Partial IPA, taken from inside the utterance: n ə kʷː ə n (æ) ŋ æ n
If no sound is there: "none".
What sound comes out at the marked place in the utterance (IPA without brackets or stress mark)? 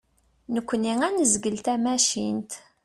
i